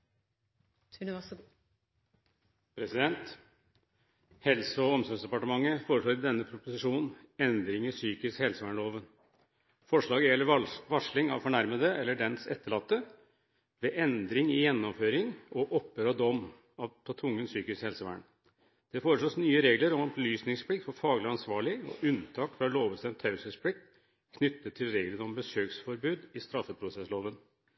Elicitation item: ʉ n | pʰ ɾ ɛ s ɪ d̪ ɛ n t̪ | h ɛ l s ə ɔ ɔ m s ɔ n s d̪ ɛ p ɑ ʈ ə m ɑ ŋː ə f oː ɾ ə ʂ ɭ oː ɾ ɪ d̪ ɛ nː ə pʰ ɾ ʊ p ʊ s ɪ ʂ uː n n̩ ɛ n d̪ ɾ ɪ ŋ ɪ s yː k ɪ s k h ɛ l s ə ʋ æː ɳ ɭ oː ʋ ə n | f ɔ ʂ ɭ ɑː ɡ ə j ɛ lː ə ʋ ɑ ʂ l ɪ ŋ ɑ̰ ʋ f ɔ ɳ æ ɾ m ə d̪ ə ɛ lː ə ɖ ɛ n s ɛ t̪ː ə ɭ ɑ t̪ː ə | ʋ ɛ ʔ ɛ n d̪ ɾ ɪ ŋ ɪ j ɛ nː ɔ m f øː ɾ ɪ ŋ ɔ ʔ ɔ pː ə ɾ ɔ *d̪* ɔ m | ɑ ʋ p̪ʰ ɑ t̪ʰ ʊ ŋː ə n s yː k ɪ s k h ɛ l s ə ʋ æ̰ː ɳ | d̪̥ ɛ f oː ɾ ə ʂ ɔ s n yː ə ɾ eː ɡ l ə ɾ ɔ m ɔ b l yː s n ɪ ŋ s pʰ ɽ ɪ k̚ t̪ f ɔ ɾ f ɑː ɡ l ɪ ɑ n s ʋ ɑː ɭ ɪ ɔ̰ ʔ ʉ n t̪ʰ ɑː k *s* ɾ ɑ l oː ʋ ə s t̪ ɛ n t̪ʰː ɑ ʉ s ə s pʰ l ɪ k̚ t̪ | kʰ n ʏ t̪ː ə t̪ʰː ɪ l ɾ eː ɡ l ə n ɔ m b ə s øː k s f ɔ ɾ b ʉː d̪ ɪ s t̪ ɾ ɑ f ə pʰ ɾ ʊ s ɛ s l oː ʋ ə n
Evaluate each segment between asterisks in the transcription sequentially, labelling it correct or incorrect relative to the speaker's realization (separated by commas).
correct, incorrect